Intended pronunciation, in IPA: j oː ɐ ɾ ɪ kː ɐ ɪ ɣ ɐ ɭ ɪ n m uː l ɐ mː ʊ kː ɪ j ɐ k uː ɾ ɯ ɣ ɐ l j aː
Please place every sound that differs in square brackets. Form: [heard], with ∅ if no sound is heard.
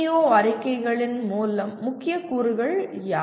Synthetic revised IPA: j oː ɐ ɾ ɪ kː ɐ ɪ ɣ ɐ ɭ ɪ n m uː l ɐ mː ʊ kː ɪ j ɐ k uː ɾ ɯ ɣ ɐ [ɭ] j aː